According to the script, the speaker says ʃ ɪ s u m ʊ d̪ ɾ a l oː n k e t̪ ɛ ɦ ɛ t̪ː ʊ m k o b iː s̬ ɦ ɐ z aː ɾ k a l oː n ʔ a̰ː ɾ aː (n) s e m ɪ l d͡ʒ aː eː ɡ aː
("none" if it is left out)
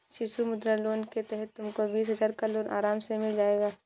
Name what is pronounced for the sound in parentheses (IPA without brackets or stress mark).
m